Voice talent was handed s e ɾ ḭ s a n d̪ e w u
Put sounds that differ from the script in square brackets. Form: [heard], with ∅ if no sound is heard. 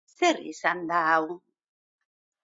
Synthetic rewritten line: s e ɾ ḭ s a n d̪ [a] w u